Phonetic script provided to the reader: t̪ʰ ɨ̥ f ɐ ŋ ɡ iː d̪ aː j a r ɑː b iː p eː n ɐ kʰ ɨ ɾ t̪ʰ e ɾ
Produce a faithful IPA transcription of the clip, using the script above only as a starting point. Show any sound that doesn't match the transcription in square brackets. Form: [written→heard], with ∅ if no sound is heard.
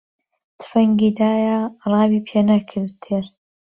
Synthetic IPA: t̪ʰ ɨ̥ f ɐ ŋ ɡ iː d̪ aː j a r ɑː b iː [p→pʰ] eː n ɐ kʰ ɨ ɾ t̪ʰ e ɾ